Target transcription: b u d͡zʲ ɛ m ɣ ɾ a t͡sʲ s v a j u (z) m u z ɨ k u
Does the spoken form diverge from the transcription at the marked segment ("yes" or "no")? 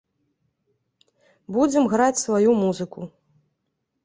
yes